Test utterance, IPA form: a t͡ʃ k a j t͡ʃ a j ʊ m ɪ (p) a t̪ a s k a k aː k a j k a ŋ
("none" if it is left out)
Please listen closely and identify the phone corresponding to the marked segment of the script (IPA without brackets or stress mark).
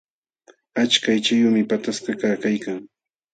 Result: p